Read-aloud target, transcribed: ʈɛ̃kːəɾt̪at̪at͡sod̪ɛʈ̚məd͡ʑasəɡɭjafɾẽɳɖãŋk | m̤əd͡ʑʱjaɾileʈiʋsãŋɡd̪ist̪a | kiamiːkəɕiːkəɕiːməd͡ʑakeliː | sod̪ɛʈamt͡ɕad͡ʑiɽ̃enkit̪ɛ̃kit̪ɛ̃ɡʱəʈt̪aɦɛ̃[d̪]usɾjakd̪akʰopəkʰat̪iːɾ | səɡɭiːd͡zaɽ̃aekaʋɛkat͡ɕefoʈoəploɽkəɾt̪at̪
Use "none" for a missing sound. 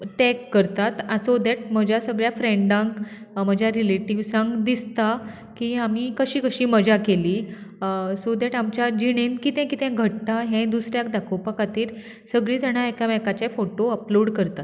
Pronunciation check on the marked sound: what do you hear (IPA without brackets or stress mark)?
d̪